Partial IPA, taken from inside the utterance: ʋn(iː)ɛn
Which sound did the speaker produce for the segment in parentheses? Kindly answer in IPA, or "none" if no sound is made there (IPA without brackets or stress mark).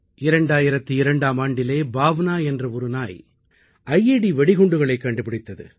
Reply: aː